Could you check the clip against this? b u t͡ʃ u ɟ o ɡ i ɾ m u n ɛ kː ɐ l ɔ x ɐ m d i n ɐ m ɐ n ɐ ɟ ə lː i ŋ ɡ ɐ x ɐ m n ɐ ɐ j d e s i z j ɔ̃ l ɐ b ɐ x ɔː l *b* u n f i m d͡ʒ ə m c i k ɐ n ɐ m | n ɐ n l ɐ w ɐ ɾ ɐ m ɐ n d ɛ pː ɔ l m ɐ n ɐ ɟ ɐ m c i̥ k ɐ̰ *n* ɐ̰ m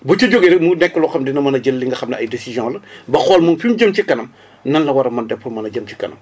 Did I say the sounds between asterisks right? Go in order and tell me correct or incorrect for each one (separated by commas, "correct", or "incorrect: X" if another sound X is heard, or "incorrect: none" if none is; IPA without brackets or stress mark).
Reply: incorrect: m, correct